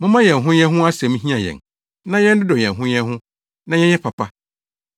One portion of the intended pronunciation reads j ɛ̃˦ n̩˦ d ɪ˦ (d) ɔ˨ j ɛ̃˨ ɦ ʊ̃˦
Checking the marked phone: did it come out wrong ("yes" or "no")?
no